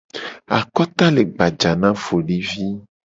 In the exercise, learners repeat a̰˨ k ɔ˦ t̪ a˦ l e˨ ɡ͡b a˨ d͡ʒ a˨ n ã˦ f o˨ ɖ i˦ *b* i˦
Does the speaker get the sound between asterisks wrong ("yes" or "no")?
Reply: yes